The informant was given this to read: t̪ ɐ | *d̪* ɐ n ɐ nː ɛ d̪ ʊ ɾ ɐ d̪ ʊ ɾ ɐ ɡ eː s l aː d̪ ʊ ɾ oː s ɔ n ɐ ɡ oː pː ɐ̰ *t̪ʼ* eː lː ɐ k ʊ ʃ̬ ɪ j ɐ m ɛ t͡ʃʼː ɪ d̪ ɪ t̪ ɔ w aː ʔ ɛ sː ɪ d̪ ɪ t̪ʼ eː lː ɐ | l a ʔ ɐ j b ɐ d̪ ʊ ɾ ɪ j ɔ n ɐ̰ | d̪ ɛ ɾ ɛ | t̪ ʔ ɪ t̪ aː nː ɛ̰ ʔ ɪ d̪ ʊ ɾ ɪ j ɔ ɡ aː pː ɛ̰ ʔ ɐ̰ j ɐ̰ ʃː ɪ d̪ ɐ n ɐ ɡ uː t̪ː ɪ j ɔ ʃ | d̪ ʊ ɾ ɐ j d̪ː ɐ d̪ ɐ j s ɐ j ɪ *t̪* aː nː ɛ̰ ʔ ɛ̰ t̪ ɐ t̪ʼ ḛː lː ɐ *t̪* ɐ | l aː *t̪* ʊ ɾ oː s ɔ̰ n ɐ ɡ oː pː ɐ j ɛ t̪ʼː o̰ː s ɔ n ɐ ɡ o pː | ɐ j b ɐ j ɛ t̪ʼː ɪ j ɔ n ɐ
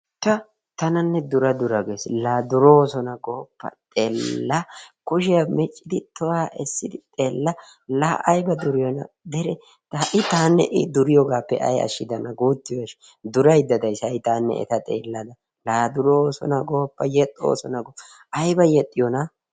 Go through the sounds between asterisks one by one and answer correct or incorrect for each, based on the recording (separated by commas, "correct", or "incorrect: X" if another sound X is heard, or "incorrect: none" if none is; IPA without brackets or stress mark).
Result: incorrect: t̪, correct, correct, incorrect: d̪, incorrect: d̪